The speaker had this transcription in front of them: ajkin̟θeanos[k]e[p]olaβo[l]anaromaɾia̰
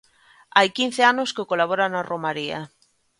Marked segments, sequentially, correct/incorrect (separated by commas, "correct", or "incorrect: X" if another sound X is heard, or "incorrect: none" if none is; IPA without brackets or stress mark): correct, incorrect: k, incorrect: ɾ